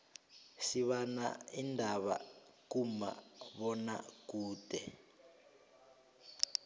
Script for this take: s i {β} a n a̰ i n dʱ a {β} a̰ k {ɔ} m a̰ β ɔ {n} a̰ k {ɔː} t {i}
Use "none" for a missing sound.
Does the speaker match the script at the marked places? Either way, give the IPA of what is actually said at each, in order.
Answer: β, β, u, n, uː, ɛ

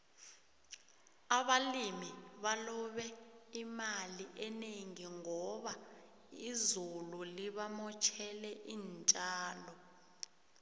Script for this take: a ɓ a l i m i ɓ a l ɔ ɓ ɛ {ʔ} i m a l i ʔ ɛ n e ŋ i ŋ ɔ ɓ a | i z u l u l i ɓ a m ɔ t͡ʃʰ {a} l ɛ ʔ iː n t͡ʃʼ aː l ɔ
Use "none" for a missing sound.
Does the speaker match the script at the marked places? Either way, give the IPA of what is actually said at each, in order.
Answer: none, ɛ

